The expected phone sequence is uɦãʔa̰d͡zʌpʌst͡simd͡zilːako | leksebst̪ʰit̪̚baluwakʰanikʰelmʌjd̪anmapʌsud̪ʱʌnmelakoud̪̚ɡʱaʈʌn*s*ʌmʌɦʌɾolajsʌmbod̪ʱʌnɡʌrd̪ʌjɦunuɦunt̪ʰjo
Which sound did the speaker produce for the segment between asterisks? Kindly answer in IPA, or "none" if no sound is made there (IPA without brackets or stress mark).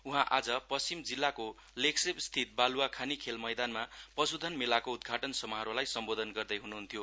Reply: s